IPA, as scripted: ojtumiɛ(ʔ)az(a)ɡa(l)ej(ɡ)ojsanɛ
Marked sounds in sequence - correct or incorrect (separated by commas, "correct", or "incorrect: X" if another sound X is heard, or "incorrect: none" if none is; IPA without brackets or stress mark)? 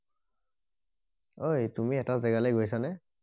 incorrect: t, incorrect: ɛ, correct, correct